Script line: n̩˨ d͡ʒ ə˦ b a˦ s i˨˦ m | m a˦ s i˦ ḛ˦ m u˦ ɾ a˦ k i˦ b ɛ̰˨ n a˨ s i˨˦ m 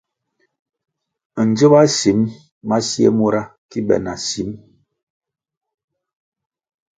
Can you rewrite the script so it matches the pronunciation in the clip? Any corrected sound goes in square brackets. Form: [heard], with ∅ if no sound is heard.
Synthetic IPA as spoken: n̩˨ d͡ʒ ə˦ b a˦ s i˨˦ m | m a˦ s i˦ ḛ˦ m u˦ ɾ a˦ k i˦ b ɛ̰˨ n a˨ s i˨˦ m